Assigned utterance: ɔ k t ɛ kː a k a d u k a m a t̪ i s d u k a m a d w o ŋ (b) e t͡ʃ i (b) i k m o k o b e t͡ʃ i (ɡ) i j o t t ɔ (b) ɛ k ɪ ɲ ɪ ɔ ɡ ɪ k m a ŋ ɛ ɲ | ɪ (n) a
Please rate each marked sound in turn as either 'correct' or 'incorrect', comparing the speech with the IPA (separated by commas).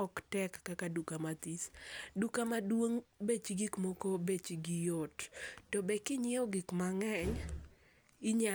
correct, incorrect, correct, correct, incorrect